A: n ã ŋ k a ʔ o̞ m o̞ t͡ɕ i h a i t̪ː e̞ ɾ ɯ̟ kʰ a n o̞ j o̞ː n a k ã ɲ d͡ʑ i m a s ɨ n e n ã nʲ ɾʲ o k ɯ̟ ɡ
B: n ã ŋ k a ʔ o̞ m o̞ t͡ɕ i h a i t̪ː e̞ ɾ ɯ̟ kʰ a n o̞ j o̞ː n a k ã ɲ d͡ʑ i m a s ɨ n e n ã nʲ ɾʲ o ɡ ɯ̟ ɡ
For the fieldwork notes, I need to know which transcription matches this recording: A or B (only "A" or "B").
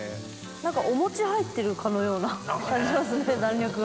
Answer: A